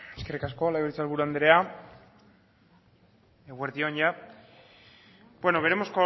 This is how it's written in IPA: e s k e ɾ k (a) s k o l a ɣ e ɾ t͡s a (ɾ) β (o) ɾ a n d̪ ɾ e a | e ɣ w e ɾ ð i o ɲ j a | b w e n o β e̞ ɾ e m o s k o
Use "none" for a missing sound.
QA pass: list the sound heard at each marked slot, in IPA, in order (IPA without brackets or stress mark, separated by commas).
a, l, u